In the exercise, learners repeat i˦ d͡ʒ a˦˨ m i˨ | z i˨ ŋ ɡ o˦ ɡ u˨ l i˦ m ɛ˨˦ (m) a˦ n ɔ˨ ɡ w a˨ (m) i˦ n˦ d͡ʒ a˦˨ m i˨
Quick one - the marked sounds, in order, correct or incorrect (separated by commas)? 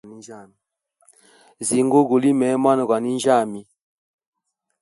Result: correct, incorrect